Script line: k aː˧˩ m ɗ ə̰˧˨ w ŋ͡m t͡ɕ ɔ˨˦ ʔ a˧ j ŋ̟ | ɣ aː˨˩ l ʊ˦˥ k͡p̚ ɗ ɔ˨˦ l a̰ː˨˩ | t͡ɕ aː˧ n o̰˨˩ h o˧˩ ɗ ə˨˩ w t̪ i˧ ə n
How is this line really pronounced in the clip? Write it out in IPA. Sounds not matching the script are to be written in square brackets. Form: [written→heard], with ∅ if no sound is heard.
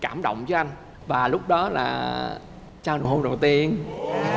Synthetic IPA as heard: k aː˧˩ m ɗ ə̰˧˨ w ŋ͡m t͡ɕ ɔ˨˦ ʔ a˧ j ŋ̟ | [ɣ→v] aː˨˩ l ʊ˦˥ k͡p̚ ɗ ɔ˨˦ l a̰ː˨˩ | t͡ɕ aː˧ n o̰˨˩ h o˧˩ ɗ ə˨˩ w t̪ i˧ ə n